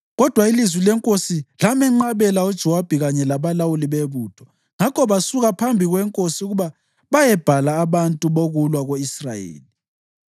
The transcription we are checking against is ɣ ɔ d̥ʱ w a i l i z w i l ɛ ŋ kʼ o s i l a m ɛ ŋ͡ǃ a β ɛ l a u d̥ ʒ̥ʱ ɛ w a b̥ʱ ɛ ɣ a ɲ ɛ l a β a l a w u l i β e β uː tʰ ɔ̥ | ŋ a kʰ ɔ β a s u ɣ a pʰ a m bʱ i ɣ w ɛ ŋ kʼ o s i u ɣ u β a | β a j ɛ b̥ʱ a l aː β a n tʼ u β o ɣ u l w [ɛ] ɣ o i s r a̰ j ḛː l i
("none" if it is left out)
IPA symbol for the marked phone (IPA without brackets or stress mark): a